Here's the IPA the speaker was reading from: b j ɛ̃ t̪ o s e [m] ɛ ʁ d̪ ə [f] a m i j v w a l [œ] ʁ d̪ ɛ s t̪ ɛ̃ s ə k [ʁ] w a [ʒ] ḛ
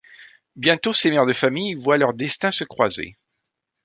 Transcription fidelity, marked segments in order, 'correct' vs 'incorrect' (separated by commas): correct, correct, correct, incorrect, incorrect